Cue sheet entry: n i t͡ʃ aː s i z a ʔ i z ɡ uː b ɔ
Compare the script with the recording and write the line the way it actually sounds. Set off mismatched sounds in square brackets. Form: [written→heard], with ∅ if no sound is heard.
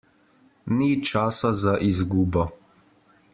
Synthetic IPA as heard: n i t͡ʃ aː s [i→a] z a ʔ i z ɡ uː b ɔ